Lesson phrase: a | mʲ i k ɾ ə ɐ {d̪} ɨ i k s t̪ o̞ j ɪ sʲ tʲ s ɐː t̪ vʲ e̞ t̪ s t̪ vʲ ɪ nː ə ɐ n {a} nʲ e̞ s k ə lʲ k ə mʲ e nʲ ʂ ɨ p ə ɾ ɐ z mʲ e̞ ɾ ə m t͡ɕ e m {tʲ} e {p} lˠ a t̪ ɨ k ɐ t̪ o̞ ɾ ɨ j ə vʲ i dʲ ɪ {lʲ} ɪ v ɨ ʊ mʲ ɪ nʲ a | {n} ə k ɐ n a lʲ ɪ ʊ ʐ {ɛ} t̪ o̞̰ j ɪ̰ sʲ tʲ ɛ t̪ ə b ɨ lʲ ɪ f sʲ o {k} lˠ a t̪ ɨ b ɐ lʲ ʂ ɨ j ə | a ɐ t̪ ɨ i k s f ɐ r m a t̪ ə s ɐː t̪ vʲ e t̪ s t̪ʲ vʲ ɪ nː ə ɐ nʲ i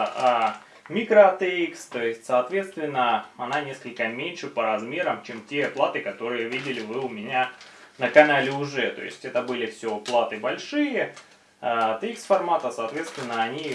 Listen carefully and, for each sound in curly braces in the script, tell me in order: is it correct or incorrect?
incorrect: t̪, correct, correct, correct, correct, correct, correct, incorrect: p

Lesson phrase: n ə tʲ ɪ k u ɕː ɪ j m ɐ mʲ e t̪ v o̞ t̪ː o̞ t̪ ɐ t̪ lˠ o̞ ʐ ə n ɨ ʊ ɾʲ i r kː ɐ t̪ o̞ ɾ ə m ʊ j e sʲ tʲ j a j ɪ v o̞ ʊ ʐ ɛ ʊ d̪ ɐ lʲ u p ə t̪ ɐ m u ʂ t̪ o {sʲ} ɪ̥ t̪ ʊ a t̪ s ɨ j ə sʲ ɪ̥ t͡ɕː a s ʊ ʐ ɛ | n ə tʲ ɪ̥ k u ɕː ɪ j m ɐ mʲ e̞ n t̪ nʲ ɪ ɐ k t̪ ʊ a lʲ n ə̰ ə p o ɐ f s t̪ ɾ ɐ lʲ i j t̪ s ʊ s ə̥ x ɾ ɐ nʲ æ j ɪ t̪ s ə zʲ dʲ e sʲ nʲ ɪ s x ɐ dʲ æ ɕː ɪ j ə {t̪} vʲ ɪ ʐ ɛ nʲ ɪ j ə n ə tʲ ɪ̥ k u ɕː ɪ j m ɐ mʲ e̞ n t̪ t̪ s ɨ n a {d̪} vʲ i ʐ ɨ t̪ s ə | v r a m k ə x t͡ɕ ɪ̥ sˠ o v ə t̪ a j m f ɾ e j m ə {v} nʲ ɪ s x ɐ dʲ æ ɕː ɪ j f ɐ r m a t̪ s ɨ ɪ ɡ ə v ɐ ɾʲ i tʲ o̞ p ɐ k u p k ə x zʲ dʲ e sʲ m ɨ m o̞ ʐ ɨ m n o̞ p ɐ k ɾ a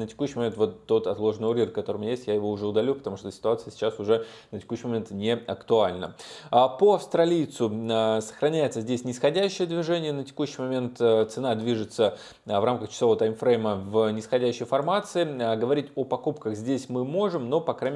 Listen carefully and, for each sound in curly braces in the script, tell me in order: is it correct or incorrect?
correct, incorrect: d̪, correct, correct

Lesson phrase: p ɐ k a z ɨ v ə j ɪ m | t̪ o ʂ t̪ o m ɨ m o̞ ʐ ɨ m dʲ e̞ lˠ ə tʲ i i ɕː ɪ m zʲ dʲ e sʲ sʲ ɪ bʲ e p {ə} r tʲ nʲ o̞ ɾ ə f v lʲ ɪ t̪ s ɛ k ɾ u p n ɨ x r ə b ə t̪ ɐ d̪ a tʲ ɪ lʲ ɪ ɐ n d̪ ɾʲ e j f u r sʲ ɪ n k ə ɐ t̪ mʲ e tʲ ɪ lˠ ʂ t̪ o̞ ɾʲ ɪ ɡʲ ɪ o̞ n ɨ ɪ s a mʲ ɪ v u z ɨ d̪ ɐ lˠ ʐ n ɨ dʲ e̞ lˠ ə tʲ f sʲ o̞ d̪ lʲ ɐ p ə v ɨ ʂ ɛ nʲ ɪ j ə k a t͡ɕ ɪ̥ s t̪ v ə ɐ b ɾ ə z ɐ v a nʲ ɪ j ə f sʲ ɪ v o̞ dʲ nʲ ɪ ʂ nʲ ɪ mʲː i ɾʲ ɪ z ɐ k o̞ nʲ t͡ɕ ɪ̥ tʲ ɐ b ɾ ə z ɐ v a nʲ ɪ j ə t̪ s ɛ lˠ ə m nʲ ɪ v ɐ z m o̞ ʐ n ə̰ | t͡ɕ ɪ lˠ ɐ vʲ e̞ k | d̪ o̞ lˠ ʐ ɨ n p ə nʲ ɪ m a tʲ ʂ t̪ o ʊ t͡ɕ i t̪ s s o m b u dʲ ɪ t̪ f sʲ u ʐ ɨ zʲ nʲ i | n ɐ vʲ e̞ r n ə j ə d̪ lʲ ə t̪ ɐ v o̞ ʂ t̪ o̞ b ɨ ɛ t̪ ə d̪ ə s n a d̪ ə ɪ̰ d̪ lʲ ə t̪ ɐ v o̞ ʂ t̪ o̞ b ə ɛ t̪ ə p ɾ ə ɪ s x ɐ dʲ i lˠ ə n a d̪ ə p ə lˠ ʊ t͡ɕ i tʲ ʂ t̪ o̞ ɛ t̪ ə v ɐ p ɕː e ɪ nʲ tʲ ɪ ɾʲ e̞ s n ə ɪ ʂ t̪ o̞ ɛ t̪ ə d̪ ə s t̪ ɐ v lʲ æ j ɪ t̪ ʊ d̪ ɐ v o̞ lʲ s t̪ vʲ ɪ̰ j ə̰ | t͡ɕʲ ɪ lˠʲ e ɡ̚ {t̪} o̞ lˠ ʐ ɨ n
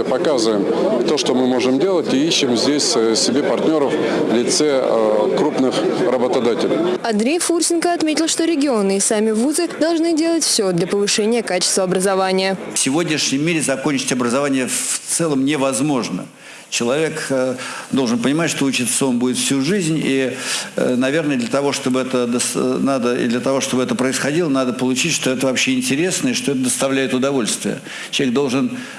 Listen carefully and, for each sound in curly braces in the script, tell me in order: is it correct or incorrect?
incorrect: ɐ, incorrect: d̪

